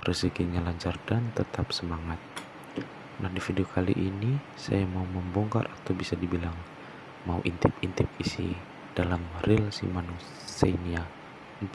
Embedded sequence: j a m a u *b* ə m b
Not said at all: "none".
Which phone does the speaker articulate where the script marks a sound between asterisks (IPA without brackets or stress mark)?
m